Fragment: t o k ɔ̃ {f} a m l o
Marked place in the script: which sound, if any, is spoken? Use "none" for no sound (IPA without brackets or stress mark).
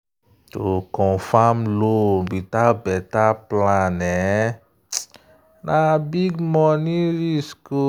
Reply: f